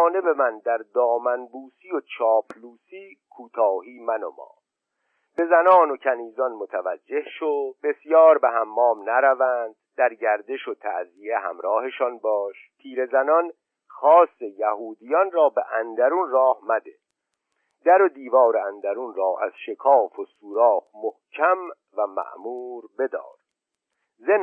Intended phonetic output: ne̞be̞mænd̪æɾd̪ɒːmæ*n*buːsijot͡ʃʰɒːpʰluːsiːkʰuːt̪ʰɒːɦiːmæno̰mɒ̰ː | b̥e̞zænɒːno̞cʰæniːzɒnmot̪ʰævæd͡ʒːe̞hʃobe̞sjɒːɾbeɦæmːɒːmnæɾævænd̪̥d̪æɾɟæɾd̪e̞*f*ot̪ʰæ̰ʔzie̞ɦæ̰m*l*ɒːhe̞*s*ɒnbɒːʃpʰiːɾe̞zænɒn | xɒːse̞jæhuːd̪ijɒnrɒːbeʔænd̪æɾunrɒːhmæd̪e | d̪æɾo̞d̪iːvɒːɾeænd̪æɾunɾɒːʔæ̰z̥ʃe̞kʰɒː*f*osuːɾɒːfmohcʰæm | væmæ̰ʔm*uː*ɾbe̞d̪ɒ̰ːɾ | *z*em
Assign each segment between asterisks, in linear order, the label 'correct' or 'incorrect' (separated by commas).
correct, incorrect, incorrect, incorrect, correct, correct, correct